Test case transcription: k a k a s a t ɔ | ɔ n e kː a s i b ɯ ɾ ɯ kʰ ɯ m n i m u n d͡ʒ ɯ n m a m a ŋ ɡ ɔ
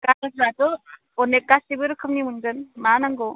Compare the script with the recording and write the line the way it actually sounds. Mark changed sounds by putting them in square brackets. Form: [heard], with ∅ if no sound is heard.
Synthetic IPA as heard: k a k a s a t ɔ | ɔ n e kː a s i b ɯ ɾ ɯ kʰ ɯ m n i m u n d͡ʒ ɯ n m a [n] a ŋ ɡ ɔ